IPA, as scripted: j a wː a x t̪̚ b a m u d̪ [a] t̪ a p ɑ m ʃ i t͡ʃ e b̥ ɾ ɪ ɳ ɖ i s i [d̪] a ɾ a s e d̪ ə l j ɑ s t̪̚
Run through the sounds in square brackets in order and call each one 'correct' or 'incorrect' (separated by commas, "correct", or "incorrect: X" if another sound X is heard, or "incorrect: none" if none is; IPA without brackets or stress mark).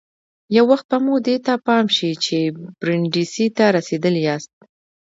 incorrect: e, incorrect: t̪